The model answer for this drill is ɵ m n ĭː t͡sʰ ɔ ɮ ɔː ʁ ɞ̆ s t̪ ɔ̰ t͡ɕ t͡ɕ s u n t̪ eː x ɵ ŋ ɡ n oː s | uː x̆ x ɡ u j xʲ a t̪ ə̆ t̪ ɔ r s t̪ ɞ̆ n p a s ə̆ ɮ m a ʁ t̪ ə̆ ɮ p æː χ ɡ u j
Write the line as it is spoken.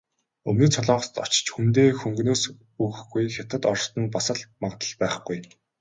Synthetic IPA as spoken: ɵ m n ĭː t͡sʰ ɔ ɮ ɔː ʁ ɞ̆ s t̪ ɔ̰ t͡ɕ t͡ɕ x u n t̪ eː x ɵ ŋ ɡ n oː s | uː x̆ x ɡ u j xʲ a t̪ ə̆ t̪ ɔ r s t̪ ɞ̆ n p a s ə̆ ɮ m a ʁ t̪ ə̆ ɮ p æː χ ɡ u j